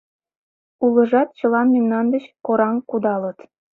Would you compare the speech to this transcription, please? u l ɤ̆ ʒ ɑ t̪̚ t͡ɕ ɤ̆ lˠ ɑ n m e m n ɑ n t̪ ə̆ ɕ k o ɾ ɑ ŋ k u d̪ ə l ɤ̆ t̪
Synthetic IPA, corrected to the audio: u l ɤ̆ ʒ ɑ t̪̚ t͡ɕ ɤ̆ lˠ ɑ n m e m n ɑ n d̪ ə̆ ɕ k o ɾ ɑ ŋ k u d̪ ɑ l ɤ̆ t̪

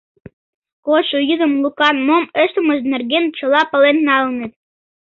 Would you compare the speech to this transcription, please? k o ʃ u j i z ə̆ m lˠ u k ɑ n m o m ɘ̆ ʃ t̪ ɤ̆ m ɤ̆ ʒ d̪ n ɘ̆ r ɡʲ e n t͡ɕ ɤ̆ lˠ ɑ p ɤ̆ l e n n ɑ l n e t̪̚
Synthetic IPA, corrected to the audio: k o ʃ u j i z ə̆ m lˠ u k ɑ n m o m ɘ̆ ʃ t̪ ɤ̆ m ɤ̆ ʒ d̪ n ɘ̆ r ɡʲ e n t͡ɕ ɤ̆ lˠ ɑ p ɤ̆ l e n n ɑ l n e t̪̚

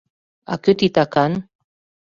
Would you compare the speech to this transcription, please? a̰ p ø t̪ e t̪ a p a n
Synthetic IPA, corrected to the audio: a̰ k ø t̪ i t̪ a k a n

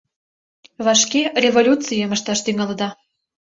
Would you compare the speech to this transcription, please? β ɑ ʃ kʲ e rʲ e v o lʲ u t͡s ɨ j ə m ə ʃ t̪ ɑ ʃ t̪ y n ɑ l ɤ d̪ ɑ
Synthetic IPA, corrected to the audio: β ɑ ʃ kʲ e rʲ e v o lʲ u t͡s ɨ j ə m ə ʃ t̪ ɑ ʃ t̪ y ŋ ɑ l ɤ d̪ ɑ

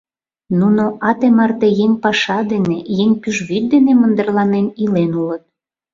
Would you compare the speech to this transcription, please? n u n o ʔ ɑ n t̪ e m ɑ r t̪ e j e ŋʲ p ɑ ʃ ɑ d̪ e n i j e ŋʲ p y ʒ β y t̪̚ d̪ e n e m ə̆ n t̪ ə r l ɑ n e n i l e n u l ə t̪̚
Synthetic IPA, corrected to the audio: n u n o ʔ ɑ t̪ e m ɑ r t̪ e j e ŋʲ p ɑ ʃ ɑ d̪ e n e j e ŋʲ p y ʒ β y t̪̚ d̪ e n e m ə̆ n d̪ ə r l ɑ n e n i l e n u l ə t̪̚

